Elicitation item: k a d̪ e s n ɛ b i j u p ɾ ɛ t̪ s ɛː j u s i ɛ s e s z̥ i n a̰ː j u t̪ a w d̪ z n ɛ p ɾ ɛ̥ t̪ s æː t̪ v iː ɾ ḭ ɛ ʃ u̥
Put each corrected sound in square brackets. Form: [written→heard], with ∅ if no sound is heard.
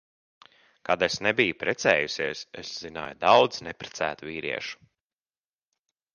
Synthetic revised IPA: k a d̪ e s n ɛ b i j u p ɾ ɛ t̪ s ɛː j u s i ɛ s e s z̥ i n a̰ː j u [t̪→d̪] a w d̪ z n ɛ p ɾ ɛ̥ t̪ s æː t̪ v iː ɾ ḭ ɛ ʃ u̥